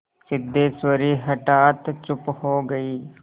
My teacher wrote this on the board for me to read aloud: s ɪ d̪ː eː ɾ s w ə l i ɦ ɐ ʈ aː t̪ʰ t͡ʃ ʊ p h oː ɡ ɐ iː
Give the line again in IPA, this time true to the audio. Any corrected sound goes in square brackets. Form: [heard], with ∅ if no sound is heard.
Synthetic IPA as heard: s ɪ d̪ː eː [∅] s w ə [ɾ] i ɦ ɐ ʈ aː [t̪] t͡ʃ ʊ p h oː ɡ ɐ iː